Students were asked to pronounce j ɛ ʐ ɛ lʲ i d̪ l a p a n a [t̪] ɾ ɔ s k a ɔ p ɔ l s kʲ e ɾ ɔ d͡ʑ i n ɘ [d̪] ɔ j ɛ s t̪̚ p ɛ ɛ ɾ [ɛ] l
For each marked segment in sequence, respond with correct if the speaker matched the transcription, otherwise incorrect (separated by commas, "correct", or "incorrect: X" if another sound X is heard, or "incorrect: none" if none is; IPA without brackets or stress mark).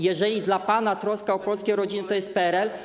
correct, incorrect: t̪, correct